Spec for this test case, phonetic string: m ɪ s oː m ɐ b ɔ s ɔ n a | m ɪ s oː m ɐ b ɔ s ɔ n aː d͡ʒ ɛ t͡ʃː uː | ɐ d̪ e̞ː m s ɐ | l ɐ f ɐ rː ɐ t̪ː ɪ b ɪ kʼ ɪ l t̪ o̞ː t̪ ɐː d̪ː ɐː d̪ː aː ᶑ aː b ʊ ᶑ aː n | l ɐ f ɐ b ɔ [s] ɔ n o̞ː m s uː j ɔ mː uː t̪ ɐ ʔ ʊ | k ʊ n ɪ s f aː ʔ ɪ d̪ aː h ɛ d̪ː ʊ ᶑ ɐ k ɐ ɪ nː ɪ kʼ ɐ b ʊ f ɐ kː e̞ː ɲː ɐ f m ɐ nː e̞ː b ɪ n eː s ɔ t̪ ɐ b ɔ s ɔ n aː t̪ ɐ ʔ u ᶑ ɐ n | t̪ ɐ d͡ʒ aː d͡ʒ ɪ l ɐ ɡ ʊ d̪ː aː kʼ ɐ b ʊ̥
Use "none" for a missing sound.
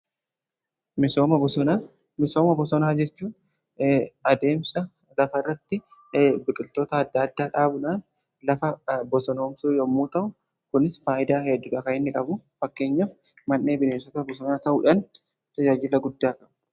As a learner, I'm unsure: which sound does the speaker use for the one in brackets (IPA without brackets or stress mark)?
s